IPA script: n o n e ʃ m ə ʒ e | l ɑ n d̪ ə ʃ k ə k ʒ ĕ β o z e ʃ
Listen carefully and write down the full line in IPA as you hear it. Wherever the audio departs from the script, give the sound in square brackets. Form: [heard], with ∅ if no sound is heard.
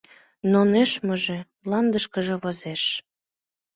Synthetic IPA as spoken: n o n e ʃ m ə ʒ e | l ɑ n d̪ ə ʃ k ə [∅] ʒ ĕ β o z e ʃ